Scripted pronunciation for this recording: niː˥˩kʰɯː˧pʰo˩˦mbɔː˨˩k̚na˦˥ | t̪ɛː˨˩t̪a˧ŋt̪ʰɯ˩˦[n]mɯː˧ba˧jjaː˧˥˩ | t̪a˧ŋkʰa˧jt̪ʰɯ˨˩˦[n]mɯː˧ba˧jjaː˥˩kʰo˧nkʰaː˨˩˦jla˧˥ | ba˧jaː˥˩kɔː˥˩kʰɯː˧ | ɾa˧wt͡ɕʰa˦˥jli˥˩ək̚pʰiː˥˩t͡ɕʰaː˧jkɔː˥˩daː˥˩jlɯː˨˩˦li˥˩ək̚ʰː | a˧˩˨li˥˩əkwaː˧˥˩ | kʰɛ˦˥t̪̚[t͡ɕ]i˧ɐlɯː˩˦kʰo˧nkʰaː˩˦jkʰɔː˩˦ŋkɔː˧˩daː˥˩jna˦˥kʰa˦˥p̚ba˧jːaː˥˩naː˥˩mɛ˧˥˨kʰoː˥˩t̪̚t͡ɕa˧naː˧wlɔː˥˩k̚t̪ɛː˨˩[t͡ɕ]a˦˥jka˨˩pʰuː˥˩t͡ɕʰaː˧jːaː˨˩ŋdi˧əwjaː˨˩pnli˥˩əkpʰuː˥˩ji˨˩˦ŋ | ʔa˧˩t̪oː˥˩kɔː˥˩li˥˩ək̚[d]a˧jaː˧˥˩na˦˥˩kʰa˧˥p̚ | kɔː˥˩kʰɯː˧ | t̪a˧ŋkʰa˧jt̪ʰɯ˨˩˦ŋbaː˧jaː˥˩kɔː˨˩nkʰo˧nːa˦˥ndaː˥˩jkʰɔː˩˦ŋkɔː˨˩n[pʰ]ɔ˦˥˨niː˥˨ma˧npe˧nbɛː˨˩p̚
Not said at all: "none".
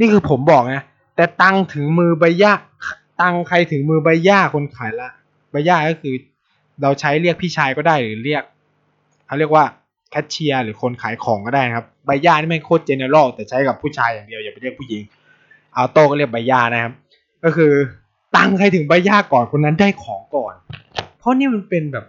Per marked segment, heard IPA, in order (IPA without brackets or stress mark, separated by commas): ŋ, ŋ, t͡ɕʰ, t͡ɕʰ, b, pʰ